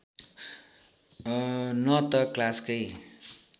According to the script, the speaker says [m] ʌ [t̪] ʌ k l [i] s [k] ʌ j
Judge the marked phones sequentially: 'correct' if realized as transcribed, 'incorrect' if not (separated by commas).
incorrect, correct, incorrect, correct